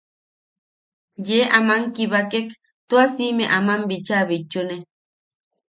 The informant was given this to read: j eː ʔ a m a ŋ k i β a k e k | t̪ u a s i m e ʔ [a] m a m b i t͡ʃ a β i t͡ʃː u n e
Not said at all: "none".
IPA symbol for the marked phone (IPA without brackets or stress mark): a